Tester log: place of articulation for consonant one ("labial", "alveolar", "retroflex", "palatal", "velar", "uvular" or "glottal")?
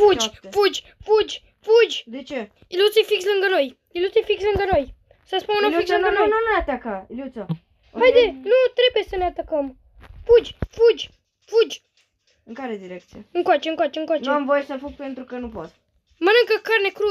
labial